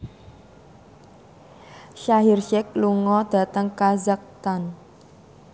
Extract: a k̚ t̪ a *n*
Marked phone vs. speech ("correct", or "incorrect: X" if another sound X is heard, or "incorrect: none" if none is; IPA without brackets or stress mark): correct